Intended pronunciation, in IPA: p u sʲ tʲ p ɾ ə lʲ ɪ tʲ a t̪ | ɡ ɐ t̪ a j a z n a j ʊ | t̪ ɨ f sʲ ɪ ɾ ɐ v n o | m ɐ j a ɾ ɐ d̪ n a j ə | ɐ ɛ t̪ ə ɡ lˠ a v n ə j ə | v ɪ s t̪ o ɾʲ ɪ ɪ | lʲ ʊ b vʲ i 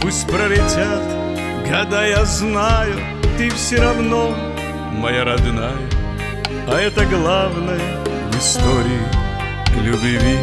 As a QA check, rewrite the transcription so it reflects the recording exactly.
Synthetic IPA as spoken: p u sʲ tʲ p ɾ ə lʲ ɪ tʲ a t̪ | ɡ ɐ d̪ a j a z n a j ʊ | t̪ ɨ f sʲ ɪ ɾ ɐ v n o | m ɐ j a ɾ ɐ d̪ n a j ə | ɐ ɛ t̪ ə ɡ lˠ a v n ə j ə | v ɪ s t̪ o ɾʲ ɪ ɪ | lʲ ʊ b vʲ i